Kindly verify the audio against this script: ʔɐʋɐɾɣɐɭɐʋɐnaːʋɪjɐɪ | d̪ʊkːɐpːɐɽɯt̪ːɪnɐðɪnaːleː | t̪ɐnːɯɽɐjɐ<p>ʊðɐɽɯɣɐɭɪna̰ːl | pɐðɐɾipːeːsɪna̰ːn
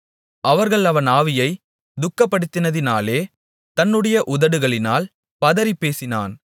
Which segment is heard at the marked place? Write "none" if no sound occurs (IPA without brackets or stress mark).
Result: ʔ